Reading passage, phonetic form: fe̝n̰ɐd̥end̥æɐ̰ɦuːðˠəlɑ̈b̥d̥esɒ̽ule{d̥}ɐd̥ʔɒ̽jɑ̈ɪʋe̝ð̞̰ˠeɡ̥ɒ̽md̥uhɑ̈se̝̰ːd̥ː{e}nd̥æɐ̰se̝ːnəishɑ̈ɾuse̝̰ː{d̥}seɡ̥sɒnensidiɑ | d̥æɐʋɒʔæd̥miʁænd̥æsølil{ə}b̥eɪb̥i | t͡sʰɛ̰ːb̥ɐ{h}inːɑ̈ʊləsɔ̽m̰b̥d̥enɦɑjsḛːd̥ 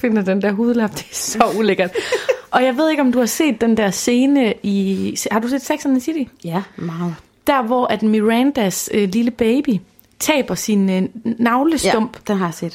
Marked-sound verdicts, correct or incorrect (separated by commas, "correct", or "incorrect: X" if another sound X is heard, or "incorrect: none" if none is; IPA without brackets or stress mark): incorrect: ɡ̥, correct, correct, correct, incorrect: s